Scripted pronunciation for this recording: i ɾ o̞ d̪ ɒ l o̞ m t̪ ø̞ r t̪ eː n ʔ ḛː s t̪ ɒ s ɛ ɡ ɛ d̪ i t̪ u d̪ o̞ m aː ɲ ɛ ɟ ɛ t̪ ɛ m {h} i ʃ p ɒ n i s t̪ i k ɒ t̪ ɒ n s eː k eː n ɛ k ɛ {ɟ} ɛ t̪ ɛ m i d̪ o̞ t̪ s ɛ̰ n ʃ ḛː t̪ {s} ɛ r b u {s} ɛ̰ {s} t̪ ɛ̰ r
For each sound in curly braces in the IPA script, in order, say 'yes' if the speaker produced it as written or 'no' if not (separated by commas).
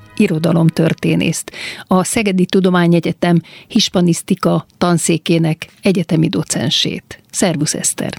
yes, yes, yes, yes, yes